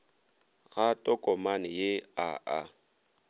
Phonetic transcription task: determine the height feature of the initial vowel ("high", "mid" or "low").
low